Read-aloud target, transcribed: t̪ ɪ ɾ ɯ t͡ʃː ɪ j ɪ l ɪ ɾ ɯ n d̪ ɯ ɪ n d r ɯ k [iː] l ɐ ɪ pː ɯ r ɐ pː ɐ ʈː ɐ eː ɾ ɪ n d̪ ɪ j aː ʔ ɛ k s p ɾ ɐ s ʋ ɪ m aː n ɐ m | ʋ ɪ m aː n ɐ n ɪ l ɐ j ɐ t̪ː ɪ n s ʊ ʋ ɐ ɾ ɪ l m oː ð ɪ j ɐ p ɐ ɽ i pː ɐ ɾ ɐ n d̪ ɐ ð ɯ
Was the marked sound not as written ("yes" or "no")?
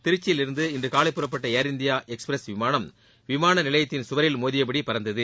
yes